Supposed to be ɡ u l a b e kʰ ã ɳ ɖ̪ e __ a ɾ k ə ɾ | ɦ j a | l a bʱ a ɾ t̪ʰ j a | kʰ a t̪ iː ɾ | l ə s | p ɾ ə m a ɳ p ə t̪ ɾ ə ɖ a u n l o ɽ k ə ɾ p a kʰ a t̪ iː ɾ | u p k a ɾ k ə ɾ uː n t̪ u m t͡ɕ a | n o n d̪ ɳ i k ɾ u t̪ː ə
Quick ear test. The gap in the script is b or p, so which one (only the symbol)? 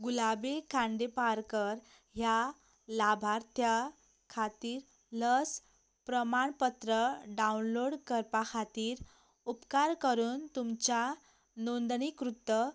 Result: p